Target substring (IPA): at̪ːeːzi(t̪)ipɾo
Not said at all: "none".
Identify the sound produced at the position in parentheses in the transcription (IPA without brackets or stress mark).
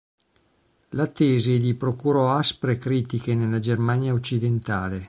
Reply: d̪